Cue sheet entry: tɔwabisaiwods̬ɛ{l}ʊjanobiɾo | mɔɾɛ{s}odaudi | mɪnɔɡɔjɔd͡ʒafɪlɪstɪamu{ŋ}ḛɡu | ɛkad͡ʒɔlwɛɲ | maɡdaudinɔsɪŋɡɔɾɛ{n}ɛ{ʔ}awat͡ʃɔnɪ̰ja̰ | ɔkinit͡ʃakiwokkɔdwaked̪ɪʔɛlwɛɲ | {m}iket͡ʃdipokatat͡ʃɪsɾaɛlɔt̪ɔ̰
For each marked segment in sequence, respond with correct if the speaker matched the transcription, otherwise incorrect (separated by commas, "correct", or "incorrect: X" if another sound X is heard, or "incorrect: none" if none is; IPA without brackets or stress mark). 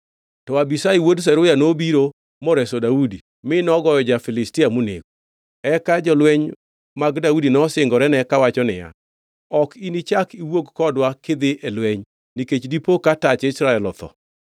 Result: incorrect: ɾ, correct, incorrect: n, correct, incorrect: k, incorrect: n